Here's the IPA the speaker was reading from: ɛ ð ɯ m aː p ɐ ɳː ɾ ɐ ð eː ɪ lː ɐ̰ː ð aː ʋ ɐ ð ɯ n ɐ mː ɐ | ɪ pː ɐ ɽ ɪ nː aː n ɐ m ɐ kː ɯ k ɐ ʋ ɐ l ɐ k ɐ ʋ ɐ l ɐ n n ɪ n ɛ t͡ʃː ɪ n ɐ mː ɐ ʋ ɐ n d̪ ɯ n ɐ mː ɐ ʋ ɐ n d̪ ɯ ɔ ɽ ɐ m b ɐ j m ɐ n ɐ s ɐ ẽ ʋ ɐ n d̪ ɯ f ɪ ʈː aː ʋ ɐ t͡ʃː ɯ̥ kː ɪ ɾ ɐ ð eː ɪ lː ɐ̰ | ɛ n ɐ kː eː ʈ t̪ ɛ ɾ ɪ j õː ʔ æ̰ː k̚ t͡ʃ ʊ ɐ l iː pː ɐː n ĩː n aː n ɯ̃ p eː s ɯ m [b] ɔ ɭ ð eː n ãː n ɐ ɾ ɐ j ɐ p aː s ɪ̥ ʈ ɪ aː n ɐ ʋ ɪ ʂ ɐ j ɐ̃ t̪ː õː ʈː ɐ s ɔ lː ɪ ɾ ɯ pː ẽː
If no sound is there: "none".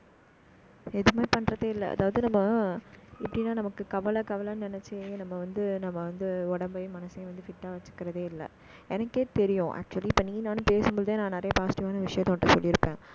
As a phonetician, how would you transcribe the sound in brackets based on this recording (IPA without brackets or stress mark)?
b